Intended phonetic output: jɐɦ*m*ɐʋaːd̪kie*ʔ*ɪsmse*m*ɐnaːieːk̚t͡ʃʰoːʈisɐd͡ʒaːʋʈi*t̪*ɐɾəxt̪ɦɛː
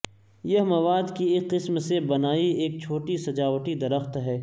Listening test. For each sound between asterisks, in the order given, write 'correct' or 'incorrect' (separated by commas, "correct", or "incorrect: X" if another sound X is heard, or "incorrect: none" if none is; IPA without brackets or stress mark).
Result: correct, incorrect: q, incorrect: b, incorrect: d̪